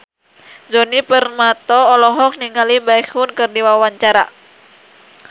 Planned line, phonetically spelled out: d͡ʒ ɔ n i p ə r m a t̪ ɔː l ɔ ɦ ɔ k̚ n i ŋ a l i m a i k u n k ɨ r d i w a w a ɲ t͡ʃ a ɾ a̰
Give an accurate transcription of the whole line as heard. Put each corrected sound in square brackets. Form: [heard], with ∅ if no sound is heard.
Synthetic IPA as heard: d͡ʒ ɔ n i p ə r m a t̪ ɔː l ɔ ɦ ɔ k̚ n i ŋ a l i [b] a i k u n k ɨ r d i w a w a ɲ t͡ʃ a ɾ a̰